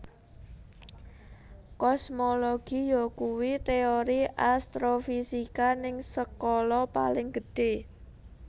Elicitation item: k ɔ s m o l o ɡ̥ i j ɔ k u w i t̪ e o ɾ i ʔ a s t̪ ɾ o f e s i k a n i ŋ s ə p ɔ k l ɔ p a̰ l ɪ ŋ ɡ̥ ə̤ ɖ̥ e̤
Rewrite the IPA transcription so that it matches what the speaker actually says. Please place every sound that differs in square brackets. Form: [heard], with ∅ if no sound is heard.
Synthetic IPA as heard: k ɔ s m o l o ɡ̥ i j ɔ k u w i t̪ e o ɾ i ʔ a s t̪ ɾ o f [i] s i k a n [ɪ] ŋ s ə [k] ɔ [∅] l ɔ p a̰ l ɪ ŋ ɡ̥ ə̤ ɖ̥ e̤